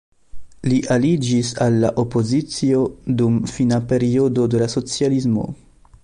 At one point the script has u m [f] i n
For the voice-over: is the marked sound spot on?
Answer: yes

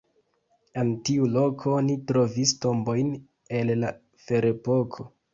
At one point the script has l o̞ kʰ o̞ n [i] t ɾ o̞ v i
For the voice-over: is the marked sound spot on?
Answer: yes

